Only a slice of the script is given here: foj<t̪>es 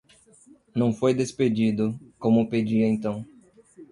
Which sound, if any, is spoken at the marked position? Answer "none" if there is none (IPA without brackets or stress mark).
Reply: d̪